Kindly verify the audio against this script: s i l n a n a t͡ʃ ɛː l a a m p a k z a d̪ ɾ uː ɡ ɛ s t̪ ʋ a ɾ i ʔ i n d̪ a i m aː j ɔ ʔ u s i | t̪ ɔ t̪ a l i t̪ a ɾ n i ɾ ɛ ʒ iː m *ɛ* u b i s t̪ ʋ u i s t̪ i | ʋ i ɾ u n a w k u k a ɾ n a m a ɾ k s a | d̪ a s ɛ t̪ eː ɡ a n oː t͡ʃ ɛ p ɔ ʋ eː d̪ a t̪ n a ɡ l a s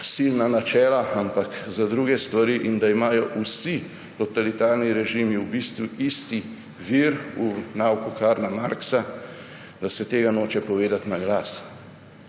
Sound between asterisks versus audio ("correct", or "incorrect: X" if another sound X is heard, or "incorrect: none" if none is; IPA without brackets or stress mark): incorrect: i